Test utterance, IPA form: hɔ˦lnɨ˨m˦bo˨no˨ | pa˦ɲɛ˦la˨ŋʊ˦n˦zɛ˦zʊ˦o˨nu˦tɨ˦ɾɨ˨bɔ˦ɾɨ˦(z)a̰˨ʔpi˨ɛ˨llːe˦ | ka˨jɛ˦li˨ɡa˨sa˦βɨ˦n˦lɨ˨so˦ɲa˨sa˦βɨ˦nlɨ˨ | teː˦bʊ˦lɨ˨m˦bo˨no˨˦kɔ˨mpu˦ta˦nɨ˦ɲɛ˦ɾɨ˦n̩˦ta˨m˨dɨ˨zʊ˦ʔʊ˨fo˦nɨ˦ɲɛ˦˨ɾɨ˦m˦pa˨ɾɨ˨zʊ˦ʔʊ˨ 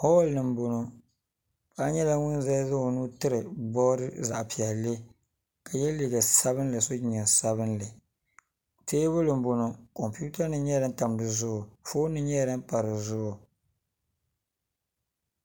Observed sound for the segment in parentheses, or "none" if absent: z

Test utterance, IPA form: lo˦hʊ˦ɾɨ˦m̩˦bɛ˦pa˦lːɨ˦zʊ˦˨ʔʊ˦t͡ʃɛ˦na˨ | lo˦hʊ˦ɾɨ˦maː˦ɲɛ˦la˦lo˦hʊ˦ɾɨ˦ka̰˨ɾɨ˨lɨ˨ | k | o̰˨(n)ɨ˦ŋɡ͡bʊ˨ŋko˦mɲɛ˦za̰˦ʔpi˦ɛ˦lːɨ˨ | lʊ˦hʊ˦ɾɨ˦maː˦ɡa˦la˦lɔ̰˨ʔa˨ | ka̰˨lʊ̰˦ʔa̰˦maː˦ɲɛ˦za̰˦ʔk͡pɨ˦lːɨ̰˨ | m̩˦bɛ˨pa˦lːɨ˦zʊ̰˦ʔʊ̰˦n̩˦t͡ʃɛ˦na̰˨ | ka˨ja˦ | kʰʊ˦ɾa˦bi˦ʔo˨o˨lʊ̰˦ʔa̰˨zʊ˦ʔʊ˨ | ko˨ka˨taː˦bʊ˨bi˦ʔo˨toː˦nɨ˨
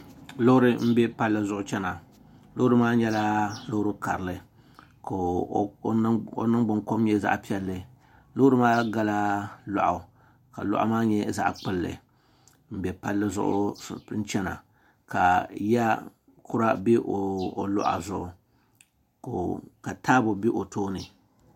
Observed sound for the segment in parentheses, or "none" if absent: n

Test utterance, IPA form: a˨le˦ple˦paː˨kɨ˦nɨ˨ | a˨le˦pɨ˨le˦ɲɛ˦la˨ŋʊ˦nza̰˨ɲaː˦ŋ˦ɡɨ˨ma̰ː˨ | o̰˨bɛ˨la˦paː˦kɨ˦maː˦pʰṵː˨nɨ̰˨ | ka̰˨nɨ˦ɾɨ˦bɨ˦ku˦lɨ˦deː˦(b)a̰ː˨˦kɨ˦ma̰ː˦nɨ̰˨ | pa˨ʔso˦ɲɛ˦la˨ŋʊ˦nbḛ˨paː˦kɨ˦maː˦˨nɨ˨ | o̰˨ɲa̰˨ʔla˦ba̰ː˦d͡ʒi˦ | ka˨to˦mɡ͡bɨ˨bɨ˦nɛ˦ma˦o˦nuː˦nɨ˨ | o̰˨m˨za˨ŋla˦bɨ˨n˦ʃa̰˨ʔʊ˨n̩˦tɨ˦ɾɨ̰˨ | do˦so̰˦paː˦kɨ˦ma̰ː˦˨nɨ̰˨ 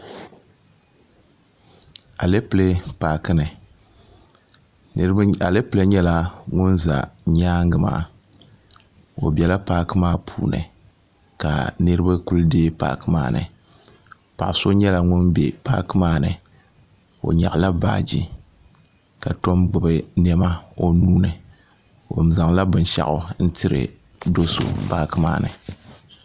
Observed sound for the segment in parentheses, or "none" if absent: p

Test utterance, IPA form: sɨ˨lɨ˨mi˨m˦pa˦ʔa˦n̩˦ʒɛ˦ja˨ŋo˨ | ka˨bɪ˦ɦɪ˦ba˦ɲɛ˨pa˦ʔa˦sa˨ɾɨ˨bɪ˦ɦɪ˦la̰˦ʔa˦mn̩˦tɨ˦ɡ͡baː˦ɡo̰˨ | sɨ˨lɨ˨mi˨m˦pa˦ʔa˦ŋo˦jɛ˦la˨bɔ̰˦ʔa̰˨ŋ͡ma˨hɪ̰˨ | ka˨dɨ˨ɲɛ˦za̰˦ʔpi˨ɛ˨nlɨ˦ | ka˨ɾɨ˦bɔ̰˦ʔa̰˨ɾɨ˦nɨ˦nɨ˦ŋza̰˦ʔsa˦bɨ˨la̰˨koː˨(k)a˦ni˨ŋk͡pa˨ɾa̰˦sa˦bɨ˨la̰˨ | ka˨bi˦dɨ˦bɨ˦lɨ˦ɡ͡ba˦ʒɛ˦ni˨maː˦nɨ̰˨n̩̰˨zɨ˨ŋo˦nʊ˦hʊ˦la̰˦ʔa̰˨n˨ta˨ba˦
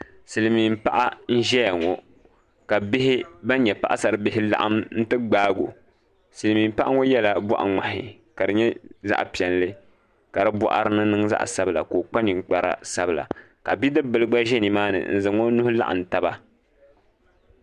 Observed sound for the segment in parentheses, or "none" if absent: k͡p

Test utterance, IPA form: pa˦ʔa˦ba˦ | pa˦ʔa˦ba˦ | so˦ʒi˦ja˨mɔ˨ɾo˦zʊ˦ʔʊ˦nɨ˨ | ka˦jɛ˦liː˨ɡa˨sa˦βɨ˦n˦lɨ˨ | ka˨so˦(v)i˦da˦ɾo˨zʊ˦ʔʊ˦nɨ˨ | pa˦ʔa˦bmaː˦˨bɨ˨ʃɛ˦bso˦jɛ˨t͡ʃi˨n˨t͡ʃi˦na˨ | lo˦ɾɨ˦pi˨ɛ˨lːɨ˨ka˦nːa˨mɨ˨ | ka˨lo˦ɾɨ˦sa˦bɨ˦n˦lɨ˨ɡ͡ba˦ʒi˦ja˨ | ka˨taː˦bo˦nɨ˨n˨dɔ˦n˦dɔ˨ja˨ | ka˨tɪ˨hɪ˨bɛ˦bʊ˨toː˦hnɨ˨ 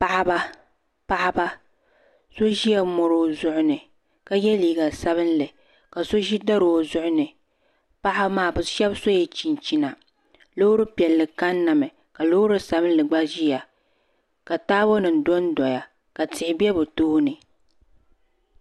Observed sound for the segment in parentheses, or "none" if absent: ʒ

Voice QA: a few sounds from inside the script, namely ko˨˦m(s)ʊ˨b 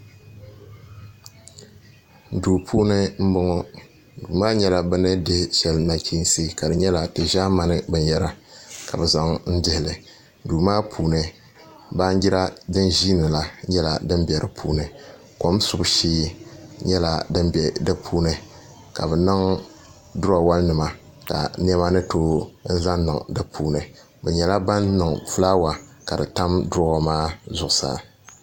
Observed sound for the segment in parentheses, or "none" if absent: s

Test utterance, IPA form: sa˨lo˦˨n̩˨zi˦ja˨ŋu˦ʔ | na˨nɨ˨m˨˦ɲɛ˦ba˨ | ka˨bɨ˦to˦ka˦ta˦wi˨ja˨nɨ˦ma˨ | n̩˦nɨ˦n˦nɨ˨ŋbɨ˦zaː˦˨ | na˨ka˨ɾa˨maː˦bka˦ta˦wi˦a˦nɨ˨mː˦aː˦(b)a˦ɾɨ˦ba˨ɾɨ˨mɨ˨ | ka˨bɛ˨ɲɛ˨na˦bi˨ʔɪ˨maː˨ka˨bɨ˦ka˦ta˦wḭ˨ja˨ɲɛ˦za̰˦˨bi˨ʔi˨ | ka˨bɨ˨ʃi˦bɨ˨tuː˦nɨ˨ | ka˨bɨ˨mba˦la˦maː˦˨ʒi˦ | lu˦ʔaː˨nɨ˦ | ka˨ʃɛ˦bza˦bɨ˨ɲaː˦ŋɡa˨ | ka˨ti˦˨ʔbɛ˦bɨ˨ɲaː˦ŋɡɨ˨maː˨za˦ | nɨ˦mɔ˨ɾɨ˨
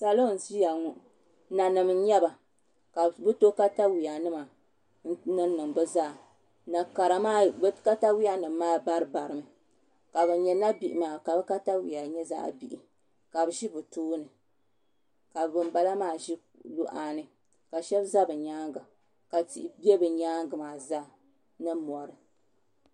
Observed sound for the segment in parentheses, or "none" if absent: b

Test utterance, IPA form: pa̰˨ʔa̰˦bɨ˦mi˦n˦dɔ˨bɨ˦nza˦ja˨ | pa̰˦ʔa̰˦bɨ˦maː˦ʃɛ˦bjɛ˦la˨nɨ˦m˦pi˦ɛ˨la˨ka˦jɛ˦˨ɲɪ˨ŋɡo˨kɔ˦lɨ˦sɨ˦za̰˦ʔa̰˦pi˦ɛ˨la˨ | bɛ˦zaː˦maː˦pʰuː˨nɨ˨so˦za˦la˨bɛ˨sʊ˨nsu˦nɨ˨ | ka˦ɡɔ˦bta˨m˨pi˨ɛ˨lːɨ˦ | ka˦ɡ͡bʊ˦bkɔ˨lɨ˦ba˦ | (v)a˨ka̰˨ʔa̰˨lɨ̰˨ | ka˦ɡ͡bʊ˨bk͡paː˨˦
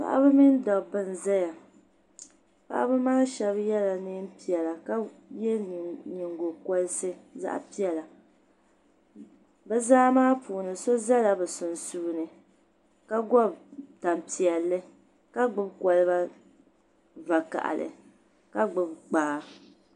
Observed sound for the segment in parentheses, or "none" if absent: v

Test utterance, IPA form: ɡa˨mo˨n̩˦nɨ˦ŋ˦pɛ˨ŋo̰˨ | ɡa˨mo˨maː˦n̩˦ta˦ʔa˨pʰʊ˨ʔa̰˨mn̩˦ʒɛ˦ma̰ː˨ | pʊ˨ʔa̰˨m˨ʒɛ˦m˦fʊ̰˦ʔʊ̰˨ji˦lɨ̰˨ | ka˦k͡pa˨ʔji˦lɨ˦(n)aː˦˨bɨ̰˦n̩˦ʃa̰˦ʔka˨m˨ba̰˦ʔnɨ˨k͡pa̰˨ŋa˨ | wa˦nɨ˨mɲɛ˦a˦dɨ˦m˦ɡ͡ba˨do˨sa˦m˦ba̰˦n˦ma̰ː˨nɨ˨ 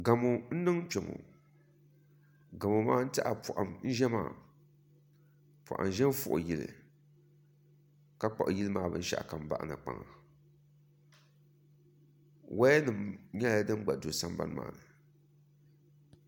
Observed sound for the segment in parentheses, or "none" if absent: m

